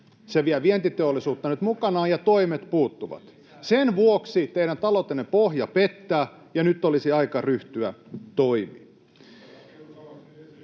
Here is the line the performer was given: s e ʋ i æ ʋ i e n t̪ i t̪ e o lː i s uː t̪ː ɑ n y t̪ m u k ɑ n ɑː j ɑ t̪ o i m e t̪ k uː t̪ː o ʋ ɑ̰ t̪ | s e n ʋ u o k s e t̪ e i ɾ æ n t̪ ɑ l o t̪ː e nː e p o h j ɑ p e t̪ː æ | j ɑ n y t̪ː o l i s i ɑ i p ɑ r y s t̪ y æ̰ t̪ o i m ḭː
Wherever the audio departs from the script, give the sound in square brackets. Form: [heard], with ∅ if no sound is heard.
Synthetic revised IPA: s e ʋ i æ ʋ i e n t̪ i t̪ e o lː i s uː t̪ː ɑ n y t̪ m u k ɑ n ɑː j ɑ t̪ o i m e t̪ [p] uː t̪ː [u] ʋ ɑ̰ t̪ | s e n ʋ u o k s [i] t̪ e i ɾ æ n t̪ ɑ l o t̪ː e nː e p o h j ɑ p e t̪ː [æː] | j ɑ n y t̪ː o l i s i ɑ i [k] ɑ r y [h] t̪ y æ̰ t̪ o i m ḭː